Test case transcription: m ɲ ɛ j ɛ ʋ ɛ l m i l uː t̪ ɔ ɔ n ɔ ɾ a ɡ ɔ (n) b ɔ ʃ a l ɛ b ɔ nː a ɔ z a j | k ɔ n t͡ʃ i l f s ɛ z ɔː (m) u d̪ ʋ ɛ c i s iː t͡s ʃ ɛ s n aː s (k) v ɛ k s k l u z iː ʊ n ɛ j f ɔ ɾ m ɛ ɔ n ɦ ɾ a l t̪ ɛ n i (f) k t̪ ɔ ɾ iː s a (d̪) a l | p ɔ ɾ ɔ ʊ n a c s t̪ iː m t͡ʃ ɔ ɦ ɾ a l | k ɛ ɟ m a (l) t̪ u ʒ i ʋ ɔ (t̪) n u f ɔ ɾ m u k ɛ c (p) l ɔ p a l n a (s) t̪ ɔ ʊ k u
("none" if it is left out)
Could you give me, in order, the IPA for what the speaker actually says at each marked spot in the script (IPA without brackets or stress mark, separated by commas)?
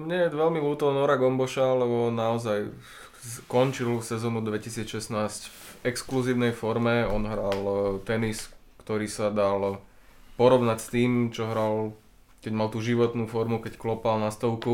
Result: m, n, c, s, d̪, l, t̪, k, s